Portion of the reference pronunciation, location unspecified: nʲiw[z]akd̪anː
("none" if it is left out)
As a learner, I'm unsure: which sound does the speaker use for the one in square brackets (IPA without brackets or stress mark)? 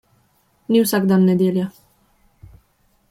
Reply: s